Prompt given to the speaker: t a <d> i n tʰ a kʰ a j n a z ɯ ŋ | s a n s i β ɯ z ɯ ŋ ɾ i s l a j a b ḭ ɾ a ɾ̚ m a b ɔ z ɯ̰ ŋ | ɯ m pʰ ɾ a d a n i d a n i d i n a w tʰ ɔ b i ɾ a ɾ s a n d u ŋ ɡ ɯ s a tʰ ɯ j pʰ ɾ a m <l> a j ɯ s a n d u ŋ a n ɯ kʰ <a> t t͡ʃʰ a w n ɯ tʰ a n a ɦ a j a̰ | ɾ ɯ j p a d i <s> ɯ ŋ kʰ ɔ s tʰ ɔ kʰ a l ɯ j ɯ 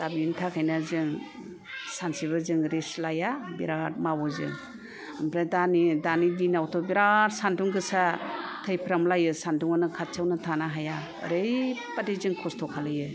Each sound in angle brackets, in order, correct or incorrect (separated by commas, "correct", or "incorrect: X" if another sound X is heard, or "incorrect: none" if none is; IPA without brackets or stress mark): incorrect: b, correct, correct, incorrect: z